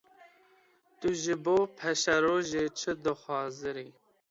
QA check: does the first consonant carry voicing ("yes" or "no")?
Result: no